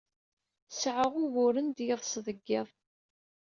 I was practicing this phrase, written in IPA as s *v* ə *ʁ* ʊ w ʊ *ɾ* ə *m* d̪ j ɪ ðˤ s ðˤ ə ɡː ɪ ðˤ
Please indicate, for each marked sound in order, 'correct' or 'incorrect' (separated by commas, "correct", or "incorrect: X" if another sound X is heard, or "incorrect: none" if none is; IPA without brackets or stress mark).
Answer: incorrect: ʕ, correct, correct, incorrect: n